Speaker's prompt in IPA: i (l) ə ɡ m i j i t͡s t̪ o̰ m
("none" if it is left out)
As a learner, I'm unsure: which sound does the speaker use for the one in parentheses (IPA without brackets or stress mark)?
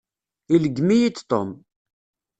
l